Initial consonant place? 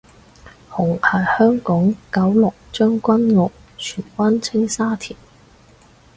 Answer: glottal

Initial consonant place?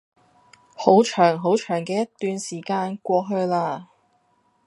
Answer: glottal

